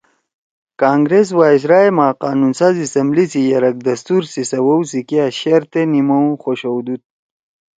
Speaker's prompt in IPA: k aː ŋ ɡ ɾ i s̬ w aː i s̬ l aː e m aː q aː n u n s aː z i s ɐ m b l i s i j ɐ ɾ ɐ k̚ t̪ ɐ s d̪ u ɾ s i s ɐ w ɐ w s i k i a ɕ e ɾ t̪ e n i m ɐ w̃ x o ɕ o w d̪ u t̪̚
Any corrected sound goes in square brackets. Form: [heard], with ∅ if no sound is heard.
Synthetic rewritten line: k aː ŋ ɡ ɾ [e] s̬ w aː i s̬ [ɾ] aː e m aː q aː n u n s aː z i s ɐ m b l i s i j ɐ ɾ ɐ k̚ [d̪] ɐ s [t̪] u ɾ s i s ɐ w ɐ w s i k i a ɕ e ɾ t̪ e n i m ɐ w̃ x o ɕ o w d̪ u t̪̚